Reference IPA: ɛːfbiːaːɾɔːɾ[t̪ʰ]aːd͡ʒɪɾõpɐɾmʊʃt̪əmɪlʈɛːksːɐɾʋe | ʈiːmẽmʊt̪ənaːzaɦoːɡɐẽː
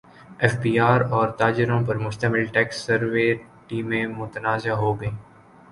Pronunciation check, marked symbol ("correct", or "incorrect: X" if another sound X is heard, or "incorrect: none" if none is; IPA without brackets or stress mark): incorrect: t̪